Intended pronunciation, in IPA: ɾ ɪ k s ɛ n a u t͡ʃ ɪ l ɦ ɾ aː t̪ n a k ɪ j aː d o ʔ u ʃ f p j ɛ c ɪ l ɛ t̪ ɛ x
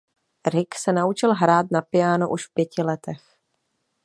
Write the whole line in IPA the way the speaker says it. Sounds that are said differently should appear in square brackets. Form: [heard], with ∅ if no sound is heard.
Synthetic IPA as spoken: ɾ ɪ k s ɛ n a u t͡ʃ ɪ l ɦ ɾ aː t̪ n a [p] ɪ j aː [n] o ʔ u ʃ f p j ɛ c ɪ l ɛ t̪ ɛ x